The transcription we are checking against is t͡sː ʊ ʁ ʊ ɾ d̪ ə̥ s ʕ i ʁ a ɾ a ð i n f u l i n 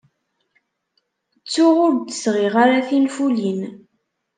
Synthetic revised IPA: t͡sː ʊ ʁ ʊ ɾ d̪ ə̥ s ʁ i ʁ a ɾ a θ i n f u l i n